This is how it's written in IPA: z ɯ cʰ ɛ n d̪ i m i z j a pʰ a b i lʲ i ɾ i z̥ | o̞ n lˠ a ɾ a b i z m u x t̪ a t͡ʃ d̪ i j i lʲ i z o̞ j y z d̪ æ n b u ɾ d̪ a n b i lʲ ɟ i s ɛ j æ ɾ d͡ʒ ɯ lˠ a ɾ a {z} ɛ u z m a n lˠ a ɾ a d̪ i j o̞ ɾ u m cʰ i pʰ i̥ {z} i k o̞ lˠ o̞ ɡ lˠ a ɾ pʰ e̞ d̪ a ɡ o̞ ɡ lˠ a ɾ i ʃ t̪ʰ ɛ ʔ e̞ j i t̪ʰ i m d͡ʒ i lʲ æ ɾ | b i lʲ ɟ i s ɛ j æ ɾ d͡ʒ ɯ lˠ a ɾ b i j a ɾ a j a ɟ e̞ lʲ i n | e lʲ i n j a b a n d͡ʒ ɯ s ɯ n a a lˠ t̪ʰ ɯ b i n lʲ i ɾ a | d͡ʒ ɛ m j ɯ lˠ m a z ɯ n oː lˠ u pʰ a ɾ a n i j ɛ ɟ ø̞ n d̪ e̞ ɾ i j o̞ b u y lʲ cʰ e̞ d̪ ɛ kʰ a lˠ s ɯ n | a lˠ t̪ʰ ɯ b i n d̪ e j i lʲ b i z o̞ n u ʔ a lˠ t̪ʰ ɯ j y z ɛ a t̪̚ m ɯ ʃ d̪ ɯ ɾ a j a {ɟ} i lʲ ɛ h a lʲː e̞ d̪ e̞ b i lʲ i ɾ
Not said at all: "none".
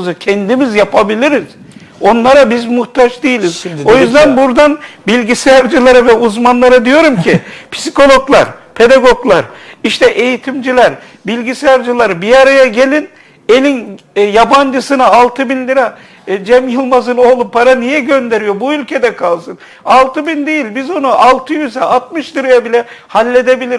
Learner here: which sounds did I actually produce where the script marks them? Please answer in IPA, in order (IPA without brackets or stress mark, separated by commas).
v, s, b